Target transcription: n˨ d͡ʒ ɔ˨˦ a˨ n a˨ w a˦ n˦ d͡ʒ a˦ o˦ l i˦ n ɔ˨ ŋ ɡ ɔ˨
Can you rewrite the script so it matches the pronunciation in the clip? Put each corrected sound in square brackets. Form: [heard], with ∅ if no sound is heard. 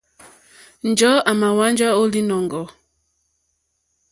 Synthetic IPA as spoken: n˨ d͡ʒ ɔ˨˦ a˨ [m] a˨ w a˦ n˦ d͡ʒ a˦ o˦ l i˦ n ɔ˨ ŋ ɡ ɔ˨